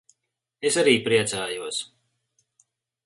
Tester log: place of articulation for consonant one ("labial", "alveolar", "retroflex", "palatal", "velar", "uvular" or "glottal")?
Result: alveolar